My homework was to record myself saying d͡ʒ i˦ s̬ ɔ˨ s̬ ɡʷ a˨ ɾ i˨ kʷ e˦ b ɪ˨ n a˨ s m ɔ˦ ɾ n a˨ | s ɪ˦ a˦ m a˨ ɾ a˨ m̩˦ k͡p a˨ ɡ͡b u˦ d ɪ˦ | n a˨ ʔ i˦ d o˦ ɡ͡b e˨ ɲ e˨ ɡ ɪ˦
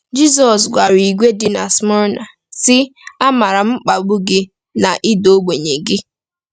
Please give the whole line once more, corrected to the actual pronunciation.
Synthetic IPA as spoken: d͡ʒ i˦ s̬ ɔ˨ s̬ ɡʷ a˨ ɾ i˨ ɡʷ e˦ d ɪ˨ n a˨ s m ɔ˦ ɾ n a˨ | s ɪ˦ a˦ m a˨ ɾ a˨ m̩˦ k͡p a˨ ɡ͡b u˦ ɡ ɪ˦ | n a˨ ʔ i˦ d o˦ ɡ͡b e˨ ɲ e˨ ɡ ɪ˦